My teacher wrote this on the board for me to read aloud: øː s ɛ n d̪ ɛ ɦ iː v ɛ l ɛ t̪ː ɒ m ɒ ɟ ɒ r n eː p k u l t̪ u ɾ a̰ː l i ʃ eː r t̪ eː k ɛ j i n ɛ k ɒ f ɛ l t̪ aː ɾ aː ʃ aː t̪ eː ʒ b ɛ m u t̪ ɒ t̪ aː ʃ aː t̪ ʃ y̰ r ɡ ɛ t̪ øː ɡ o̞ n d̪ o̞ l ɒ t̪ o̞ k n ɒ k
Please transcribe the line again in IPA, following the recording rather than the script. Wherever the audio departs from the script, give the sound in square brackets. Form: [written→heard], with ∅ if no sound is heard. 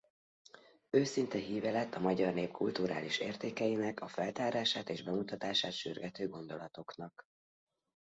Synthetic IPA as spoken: øː s [ɛ→i] n [d̪→t̪] ɛ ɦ iː v ɛ l ɛ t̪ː ɒ m ɒ ɟ ɒ r n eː p k u l t̪ u ɾ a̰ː l i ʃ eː r t̪ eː k ɛ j i n ɛ k ɒ f ɛ l t̪ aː ɾ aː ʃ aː t̪ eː ʒ b ɛ m u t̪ ɒ t̪ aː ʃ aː t̪ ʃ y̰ r ɡ ɛ t̪ øː ɡ o̞ n d̪ o̞ l ɒ t̪ o̞ k n ɒ k